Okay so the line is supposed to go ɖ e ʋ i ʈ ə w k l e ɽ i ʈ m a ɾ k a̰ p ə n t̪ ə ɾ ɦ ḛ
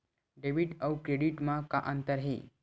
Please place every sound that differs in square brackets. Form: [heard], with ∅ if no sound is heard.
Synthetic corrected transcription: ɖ e ʋ i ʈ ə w k [ɾ] e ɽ i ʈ m a [∅] k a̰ [ʔ] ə n t̪ ə ɾ ɦ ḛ